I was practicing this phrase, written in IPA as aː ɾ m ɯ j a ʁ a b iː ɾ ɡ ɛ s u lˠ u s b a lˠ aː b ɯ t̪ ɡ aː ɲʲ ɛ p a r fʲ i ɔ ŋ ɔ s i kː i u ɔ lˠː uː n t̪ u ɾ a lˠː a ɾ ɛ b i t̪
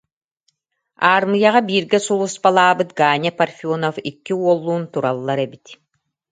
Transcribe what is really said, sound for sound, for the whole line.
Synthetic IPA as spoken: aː ɾ m ɯ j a ʁ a b iː ɾ ɡ ɛ s u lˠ u s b a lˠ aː b ɯ t̪ ɡ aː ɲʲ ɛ p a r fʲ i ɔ n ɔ f i kː i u ɔ lˠː uː n t̪ u ɾ a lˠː a ɾ ɛ b i t̪